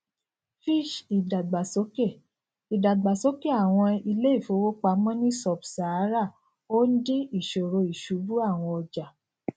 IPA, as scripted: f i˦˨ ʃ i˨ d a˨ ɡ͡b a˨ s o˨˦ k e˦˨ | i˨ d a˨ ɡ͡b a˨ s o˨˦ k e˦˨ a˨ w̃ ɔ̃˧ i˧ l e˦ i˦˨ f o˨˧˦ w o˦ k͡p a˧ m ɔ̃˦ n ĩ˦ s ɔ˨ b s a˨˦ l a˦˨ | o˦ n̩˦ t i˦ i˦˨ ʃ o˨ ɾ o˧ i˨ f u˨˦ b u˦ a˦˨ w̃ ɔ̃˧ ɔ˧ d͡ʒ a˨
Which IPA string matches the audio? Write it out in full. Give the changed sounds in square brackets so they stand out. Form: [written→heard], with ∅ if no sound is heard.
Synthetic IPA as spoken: f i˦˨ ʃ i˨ d a˨ ɡ͡b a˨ s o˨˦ k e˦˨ | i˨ d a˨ ɡ͡b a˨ s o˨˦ k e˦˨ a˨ w̃ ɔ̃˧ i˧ l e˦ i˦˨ f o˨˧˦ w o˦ k͡p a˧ m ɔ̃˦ n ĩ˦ s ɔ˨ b s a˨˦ [l→ɾ] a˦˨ | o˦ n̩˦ [t→d] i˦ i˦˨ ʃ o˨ ɾ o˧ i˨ [f→ʃ] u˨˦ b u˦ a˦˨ w̃ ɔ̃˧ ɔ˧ d͡ʒ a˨